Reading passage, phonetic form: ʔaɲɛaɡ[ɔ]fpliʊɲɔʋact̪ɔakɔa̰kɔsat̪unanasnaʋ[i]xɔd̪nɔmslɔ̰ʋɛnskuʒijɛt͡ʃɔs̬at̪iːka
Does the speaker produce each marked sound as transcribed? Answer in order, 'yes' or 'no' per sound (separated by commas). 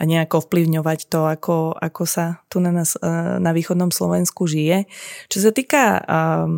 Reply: yes, no